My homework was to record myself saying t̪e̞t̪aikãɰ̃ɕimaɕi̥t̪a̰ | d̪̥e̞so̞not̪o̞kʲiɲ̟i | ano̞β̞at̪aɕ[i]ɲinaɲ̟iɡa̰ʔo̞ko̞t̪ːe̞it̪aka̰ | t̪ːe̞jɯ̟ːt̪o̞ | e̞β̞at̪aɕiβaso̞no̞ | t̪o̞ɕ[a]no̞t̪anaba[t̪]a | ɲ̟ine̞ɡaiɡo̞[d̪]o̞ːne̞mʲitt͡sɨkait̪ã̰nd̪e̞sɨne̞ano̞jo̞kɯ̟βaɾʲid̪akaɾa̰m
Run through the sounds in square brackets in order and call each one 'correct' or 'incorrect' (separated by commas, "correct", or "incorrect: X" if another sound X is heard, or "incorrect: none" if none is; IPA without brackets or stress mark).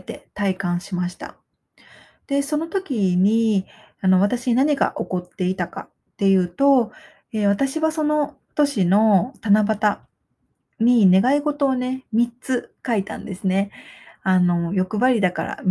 correct, incorrect: i, correct, incorrect: t̪